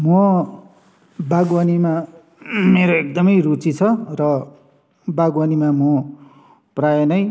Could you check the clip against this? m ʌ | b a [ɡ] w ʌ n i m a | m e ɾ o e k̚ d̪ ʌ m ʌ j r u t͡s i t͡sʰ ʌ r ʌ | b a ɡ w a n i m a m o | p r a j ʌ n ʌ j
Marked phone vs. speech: correct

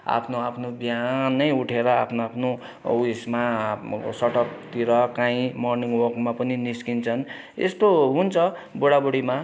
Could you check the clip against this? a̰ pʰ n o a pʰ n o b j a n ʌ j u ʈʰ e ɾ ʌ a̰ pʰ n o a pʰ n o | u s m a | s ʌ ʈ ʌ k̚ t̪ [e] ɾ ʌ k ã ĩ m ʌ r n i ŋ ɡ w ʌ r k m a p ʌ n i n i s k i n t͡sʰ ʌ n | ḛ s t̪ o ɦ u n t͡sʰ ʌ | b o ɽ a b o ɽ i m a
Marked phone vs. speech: incorrect: i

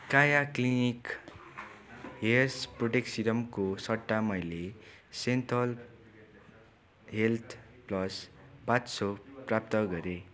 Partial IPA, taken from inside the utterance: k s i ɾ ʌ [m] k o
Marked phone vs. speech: correct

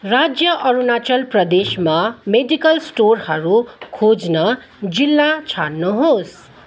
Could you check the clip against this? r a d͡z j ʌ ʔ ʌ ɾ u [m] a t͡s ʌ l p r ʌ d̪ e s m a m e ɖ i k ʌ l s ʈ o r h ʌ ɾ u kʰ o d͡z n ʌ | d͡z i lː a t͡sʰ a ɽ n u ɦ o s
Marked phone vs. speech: incorrect: n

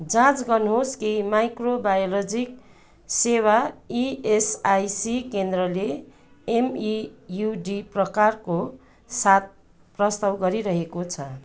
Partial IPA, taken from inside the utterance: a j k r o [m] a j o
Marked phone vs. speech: incorrect: b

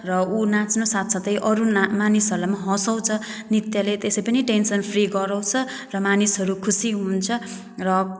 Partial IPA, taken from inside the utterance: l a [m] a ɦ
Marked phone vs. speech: correct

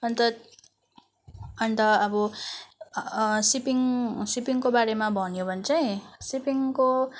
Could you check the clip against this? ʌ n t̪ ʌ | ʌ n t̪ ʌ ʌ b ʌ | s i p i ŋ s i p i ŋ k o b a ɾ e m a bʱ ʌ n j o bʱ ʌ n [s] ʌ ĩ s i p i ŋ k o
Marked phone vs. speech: incorrect: t͡s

